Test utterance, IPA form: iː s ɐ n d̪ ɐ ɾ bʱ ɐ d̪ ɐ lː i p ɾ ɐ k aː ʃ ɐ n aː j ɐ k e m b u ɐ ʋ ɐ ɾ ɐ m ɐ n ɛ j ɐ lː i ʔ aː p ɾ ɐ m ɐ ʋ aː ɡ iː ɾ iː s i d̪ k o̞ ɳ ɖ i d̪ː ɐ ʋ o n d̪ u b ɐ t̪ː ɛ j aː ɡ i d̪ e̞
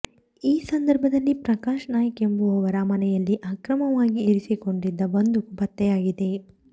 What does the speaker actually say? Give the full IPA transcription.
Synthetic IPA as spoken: iː s ɐ n d̪ ɐ ɾ bʱ ɐ d̪ ɐ lː i p ɾ ɐ k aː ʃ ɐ n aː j ɐ k e m b u ɐ ʋ ɐ ɾ ɐ m ɐ n ɛ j ɐ lː i ʔ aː k ɾ ɐ m ɐ ʋ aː ɡ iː ɾ i s i k o̞ ɳ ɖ i d̪ː ɐ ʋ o n d̪ u b ɐ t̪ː ɛ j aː ɡ i d̪ e̞